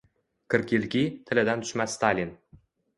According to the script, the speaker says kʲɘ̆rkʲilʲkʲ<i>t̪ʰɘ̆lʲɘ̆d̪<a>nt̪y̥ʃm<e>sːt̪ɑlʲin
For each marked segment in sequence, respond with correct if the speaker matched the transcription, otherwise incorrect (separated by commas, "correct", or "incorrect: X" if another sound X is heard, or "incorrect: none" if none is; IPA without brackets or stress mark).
correct, incorrect: æ, incorrect: æ